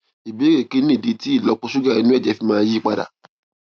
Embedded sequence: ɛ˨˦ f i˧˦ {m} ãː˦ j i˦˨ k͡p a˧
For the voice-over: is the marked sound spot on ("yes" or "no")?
yes